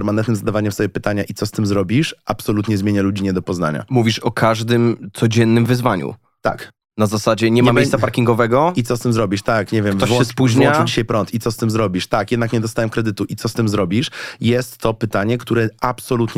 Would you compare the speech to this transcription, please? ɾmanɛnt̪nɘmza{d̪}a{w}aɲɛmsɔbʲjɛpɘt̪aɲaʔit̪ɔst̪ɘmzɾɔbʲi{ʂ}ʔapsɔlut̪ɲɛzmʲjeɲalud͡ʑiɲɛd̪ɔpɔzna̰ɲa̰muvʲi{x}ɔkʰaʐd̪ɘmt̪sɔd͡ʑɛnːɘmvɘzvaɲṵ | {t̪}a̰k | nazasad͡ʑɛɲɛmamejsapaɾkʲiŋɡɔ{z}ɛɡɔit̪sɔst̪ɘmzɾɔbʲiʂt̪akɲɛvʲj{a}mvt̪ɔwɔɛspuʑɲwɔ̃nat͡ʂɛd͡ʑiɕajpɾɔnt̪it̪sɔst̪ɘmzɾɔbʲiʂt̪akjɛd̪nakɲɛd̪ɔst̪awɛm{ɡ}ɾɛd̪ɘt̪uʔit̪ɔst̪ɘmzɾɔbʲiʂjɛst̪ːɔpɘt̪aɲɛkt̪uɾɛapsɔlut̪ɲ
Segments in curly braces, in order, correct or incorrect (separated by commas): correct, incorrect, correct, incorrect, correct, incorrect, incorrect, incorrect